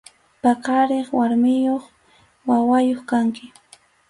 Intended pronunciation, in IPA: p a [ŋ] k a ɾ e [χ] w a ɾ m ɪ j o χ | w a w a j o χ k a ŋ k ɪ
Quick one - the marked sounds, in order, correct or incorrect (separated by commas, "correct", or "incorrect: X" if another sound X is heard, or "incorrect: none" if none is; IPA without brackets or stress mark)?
incorrect: none, correct